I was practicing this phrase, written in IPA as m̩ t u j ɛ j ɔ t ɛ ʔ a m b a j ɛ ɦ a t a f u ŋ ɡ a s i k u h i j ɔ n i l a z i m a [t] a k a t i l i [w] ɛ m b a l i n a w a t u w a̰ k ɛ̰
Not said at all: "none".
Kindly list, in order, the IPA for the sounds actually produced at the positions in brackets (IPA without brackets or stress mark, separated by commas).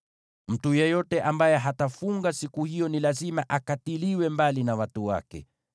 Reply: ʔ, w